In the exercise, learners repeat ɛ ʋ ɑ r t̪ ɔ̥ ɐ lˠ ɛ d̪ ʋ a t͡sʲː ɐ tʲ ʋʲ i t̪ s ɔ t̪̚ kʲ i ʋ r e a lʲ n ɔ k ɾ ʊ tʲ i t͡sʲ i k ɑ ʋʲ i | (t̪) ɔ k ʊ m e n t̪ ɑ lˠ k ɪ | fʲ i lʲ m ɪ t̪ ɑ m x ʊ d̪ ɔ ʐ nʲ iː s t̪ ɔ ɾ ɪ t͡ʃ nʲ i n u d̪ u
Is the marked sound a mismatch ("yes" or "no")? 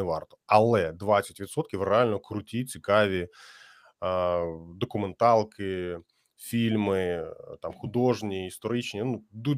yes